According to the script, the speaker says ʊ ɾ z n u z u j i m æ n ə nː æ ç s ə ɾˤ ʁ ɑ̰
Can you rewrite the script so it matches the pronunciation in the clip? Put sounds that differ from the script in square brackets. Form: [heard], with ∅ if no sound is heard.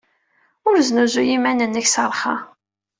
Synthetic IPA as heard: ʊ ɾ z n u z u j i m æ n ə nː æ ç s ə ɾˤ [χ] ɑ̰